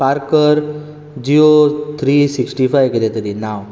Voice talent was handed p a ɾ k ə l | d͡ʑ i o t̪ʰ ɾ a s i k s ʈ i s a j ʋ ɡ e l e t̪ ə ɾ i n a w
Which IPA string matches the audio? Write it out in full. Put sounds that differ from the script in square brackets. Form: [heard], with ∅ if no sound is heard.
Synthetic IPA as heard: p a ɾ k ə [ɾ] | d͡ʑ i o t̪ʰ ɾ [i] s i k s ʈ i [f] a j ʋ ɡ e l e t̪ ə ɾ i n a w